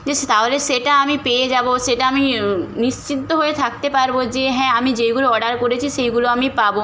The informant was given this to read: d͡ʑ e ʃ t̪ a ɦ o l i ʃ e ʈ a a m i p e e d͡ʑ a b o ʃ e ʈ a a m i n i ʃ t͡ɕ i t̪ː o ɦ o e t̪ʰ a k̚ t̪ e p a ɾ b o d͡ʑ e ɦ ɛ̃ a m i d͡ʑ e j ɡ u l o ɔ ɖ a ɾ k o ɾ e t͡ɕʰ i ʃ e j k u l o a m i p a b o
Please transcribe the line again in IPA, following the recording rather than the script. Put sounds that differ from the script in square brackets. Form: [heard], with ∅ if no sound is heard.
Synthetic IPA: d͡ʑ e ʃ t̪ a ɦ o l [e] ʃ e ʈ a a m i p e e d͡ʑ a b o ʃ e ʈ a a m i n i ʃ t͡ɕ i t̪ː o ɦ o e t̪ʰ a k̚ t̪ e p a ɾ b o d͡ʑ e ɦ ɛ̃ a m i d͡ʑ e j ɡ u l o ɔ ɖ a ɾ k o ɾ e t͡ɕʰ i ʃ e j [ɡ] u l o a m i p a b o